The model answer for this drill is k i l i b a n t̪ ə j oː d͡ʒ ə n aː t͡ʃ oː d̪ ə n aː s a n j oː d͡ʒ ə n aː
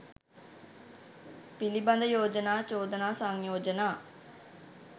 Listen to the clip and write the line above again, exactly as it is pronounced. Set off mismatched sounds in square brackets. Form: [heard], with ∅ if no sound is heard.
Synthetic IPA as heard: [p] i l i b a n [d̪] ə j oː d͡ʒ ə n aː t͡ʃ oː d̪ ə n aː s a [ŋ] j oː d͡ʒ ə n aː